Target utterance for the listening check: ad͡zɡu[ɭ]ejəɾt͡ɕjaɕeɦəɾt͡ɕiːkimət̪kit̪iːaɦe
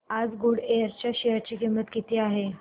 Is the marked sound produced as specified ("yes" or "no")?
no